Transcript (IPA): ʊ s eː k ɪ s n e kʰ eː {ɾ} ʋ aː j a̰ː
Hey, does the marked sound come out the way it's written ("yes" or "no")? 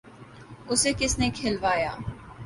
no